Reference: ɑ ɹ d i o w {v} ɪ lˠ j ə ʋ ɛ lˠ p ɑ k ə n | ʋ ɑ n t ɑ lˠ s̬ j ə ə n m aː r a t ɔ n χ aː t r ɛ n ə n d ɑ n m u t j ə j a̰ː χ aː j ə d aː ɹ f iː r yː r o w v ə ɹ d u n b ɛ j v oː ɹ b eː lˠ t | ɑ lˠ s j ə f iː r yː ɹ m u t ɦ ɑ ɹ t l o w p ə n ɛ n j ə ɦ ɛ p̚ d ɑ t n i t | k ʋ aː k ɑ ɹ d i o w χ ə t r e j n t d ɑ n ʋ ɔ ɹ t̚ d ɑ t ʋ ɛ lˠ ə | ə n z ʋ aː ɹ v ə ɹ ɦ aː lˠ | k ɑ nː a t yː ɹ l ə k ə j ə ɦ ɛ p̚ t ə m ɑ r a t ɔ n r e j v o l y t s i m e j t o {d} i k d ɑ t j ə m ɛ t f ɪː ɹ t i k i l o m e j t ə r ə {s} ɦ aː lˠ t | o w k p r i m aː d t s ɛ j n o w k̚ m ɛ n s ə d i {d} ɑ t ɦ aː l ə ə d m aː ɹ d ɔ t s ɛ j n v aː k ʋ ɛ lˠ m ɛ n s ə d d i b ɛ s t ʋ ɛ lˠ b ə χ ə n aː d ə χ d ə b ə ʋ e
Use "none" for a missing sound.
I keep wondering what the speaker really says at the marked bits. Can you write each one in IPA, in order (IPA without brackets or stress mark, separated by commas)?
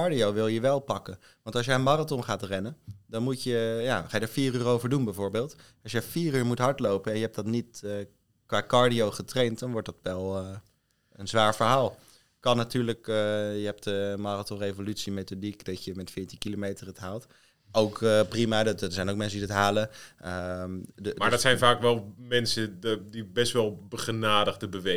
ʋ, d, t, d